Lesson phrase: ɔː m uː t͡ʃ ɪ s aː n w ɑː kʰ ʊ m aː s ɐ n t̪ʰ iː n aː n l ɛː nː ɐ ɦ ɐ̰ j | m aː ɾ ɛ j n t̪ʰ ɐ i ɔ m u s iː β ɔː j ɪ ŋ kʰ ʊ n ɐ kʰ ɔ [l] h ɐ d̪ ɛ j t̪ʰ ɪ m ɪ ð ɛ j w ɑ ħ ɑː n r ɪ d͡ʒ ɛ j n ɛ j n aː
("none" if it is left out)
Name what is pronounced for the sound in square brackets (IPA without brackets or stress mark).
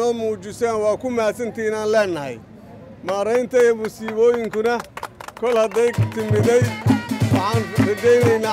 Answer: l